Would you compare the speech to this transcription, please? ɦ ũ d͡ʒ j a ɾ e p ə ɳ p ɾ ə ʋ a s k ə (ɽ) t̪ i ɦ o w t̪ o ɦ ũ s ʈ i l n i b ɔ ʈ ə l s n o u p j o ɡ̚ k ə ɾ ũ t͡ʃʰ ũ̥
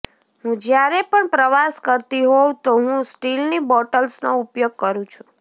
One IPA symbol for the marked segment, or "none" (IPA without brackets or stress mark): ɾ